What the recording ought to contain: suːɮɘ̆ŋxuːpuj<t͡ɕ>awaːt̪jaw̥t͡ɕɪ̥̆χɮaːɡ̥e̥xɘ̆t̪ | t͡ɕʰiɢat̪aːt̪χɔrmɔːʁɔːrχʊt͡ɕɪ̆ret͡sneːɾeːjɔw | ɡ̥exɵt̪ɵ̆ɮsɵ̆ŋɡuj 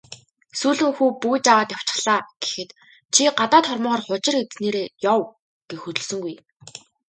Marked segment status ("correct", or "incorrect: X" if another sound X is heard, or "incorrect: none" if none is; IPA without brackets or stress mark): correct